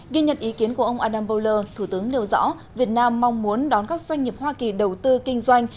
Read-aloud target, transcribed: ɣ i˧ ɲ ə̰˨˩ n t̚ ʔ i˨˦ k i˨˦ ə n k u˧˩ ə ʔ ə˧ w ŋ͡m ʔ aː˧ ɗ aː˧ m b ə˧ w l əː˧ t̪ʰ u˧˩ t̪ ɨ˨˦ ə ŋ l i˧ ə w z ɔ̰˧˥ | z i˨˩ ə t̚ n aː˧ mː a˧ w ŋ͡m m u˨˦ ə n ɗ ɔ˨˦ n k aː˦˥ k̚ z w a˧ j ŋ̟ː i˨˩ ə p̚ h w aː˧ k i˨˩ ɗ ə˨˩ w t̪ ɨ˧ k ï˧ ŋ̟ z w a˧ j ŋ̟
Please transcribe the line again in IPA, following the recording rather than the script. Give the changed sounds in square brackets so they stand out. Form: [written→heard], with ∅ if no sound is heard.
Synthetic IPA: ɣ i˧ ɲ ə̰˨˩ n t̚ ʔ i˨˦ k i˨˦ ə n k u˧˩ ə ʔ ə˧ w ŋ͡m ʔ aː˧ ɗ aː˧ m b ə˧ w l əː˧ t̪ʰ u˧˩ t̪ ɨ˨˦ ə ŋ l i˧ ə w z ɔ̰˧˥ | [z→v] i˨˩ ə t̚ n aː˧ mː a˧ w ŋ͡m m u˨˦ ə n ɗ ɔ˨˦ n k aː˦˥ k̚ z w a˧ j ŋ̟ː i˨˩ ə p̚ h w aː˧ k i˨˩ ɗ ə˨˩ w t̪ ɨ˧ k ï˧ ŋ̟ z w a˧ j ŋ̟

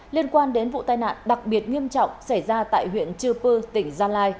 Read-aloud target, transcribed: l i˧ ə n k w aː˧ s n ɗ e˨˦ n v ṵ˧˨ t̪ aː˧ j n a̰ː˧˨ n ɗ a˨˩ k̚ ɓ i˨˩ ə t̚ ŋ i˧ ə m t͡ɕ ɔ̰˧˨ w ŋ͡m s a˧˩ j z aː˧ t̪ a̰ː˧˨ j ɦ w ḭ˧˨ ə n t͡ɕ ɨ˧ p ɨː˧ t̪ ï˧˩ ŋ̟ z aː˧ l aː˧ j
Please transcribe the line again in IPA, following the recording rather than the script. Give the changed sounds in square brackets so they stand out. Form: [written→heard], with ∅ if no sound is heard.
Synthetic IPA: l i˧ ə n k w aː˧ [s→∅] n ɗ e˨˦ n v ṵ˧˨ t̪ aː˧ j n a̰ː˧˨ n ɗ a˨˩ k̚ ɓ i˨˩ ə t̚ ŋ i˧ ə m t͡ɕ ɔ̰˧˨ w ŋ͡m s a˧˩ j z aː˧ t̪ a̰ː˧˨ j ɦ w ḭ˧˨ ə n t͡ɕ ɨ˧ p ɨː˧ t̪ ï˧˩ ŋ̟ z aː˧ l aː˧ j

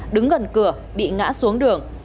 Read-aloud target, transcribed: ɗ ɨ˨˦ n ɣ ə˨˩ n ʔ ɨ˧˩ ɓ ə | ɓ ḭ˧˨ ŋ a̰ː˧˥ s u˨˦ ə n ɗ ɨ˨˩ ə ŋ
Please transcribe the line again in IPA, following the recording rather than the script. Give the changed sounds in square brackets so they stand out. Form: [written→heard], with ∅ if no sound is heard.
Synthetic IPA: ɗ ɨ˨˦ [n→ŋ] ɣ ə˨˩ n [ʔ→k] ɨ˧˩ [ɓ→∅] ə | ɓ ḭ˧˨ ŋ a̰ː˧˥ s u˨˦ ə [n→ŋ] ɗ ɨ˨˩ ə ŋ

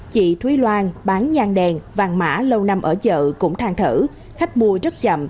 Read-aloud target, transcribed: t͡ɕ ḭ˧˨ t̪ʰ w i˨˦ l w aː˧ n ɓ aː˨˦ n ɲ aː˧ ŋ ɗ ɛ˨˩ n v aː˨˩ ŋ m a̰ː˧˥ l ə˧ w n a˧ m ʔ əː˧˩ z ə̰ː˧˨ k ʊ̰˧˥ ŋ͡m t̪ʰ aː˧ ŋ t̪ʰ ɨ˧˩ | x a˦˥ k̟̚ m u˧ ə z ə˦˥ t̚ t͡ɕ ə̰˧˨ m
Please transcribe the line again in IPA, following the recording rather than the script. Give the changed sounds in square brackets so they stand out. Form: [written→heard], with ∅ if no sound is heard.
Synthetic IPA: t͡ɕ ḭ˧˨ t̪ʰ w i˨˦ l w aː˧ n ɓ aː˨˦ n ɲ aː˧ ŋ ɗ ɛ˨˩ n v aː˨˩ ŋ m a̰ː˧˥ l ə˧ w n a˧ m ʔ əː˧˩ z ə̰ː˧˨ k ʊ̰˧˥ ŋ͡m t̪ʰ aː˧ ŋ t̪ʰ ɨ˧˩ | x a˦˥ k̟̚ m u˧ ə z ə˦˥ t̚ t͡ɕ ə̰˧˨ m

